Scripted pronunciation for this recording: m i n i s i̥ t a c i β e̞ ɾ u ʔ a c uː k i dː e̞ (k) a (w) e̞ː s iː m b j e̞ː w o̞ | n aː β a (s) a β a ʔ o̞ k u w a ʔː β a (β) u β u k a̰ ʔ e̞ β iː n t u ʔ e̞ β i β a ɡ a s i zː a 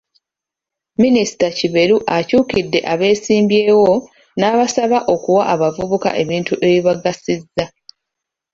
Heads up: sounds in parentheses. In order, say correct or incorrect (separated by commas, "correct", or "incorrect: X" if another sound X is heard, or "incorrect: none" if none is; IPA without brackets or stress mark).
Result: incorrect: ʔ, incorrect: β, correct, incorrect: v